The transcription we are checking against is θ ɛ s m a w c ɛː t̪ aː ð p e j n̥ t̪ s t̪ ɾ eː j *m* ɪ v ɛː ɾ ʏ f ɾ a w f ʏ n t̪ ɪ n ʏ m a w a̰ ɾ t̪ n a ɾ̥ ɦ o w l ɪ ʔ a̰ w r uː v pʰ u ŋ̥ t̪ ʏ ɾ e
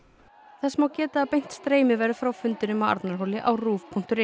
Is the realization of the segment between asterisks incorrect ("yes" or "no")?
no